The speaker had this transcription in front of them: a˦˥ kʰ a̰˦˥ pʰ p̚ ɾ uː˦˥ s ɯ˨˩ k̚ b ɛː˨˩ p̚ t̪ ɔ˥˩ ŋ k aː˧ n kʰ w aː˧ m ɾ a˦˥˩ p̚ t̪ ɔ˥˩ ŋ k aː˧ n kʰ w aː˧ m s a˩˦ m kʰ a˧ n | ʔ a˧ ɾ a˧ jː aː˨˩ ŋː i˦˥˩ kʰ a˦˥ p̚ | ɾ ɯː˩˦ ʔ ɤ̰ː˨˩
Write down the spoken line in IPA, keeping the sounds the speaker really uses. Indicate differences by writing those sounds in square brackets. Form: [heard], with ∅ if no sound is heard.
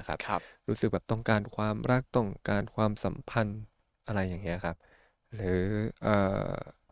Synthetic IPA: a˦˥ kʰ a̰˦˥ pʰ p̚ ɾ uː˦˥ s ɯ˨˩ k̚ b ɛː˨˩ p̚ t̪ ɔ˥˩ ŋ k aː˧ n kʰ w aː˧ m ɾ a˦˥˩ [k̚] t̪ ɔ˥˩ ŋ k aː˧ n kʰ w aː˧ m s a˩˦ m [pʰ] a˧ n | ʔ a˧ ɾ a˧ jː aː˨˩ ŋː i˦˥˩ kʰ a˦˥ p̚ | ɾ ɯː˩˦ ʔ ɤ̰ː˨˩